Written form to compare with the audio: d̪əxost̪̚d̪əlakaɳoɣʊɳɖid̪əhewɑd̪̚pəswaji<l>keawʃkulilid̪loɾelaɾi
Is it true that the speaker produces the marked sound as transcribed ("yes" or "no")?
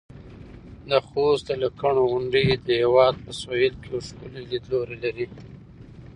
yes